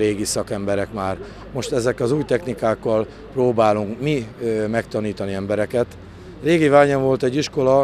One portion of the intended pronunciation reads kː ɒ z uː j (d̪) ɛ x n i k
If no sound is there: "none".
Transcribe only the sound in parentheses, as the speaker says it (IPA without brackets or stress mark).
t̪